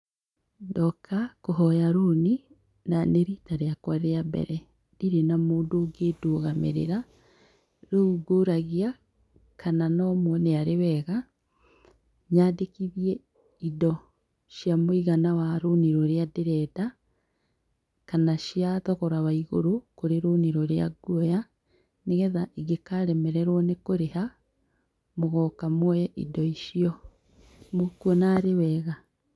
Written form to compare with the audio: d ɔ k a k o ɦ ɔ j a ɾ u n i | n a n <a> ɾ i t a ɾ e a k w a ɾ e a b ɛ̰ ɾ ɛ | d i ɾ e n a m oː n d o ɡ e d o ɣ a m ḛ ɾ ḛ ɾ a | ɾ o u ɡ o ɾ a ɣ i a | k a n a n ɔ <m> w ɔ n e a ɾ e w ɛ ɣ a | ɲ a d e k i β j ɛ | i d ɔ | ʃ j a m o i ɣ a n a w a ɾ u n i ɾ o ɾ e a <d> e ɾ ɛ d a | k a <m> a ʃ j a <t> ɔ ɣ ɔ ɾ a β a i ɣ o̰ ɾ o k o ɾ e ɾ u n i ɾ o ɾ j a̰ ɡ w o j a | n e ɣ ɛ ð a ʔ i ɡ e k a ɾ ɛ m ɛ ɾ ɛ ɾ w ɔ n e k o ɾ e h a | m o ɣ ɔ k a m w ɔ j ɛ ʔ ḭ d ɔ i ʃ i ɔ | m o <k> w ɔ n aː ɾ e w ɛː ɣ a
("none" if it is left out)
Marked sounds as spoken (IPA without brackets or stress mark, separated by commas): e, m, d, n, t, k